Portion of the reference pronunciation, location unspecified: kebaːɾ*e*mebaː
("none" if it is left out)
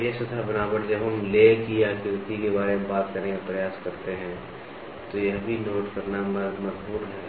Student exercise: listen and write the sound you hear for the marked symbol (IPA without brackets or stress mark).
e